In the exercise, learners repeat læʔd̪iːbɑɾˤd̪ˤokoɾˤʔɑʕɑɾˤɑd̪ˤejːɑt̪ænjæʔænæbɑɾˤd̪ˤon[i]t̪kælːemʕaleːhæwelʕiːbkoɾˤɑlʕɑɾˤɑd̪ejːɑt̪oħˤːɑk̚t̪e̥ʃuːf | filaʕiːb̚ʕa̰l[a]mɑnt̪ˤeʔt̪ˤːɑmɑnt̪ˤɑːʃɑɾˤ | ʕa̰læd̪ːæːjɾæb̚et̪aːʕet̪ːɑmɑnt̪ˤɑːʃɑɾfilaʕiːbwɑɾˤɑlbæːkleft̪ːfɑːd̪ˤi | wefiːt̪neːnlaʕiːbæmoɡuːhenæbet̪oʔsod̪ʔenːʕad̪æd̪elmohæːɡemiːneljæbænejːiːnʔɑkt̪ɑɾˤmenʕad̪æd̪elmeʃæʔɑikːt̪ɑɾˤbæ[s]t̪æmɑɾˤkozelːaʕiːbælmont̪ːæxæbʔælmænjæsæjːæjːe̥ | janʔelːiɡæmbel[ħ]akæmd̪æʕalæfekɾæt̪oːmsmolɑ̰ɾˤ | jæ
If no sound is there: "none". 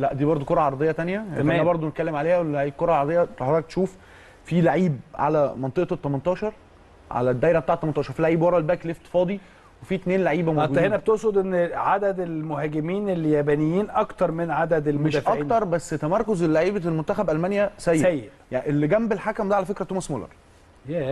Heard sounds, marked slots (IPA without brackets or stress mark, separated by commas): e, æ, sː, ħ